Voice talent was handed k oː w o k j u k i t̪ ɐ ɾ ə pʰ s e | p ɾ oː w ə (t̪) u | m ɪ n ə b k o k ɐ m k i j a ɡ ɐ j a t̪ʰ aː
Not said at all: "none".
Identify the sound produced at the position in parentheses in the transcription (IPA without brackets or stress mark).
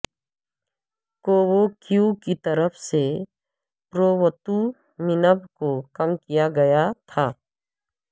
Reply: t̪